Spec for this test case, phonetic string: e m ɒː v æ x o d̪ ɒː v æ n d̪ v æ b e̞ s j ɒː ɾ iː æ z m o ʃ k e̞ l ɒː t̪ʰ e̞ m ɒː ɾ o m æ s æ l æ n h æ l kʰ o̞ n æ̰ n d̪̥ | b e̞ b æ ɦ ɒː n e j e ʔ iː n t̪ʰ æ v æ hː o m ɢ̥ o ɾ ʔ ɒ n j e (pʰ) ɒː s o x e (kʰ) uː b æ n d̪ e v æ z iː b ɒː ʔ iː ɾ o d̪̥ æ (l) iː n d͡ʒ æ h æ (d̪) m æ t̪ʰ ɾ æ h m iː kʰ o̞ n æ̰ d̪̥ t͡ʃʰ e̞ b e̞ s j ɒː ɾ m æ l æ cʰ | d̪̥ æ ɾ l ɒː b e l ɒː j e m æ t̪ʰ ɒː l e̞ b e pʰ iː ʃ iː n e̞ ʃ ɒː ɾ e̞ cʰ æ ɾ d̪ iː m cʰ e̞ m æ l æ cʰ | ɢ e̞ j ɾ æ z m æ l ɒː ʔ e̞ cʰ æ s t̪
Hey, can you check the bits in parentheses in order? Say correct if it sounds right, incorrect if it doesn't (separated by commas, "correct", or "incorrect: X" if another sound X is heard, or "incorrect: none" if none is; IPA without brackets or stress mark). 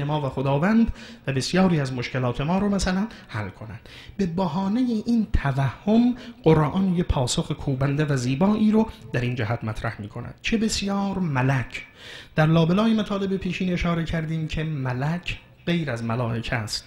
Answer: correct, correct, incorrect: ɾ, incorrect: t̪